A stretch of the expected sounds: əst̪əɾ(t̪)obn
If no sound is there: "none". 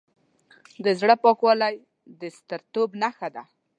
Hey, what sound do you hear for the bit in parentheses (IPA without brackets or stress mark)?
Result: t̪